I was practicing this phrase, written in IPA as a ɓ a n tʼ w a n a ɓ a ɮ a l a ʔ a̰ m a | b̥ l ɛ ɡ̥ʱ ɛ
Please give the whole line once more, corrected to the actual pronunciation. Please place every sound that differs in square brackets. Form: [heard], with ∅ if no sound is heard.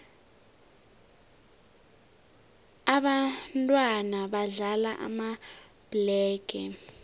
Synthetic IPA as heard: a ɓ a n tʼ w a n a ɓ a ɮ a l a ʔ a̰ m a | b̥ l [ɛː] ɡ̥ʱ ɛ